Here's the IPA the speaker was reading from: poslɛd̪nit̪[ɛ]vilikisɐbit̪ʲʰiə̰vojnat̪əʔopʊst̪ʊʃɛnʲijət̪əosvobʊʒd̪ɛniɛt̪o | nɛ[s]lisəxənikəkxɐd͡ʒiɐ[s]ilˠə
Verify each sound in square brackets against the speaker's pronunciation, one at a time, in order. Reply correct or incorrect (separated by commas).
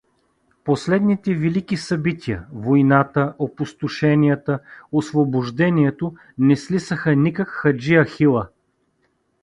correct, correct, incorrect